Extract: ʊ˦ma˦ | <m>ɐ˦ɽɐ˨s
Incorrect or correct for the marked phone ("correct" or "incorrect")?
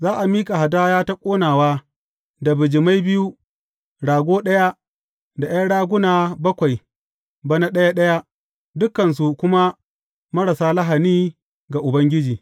correct